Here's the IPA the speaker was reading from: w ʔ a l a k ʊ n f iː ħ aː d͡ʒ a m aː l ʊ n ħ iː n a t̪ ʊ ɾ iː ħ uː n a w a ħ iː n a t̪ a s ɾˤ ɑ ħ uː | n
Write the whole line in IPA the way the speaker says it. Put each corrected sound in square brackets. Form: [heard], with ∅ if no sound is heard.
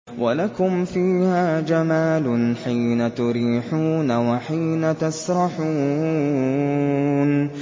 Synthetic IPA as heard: w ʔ a l a k ʊ [m] f iː [h] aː d͡ʒ a m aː l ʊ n ħ iː n a t̪ ʊ ɾ iː ħ uː n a w a ħ iː n a t̪ a s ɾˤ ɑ ħ uː | n